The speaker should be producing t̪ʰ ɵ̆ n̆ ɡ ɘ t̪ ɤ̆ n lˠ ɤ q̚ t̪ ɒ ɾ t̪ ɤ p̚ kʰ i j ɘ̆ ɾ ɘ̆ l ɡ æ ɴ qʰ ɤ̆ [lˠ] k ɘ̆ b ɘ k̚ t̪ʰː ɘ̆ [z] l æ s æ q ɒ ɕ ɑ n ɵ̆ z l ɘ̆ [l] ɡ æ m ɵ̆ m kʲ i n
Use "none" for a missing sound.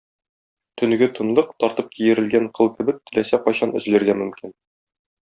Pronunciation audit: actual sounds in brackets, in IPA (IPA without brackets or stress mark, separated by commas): lˠ, none, ɾ